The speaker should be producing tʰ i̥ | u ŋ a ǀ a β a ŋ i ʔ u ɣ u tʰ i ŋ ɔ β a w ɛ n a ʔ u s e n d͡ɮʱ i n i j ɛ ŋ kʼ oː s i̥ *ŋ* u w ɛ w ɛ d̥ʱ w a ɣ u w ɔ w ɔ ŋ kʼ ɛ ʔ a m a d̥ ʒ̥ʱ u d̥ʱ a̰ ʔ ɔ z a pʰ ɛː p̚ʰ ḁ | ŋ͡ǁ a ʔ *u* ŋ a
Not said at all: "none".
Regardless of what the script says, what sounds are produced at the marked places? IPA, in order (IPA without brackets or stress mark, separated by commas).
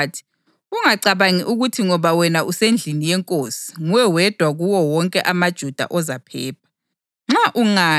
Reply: ŋ, u